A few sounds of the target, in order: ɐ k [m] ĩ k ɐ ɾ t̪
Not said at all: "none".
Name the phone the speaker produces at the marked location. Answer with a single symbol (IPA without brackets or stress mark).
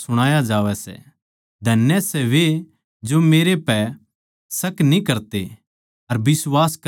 n